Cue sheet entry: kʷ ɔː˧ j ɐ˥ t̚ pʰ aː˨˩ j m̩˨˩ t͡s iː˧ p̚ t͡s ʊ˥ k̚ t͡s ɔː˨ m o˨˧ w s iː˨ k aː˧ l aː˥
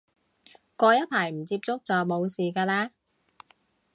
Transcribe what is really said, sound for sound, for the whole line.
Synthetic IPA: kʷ ɔː˧ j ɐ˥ t̚ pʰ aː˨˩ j m̩˨˩ t͡s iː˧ p̚ t͡s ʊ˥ k̚ t͡s ɔː˨ m o˨˧ w s iː˨ k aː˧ l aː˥